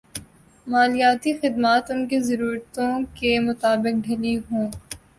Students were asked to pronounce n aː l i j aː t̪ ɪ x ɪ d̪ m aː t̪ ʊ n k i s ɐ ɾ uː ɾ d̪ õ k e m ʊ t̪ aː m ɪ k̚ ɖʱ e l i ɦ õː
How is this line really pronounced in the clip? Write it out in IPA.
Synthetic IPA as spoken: m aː l i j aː t̪ i x ɪ d̪ m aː t̪ ʊ n k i z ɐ ɾ uː ɾ t̪ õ k e m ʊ t̪ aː b ɪ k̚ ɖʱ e l i ɦ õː